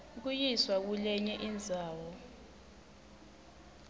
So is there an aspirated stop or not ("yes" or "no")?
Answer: no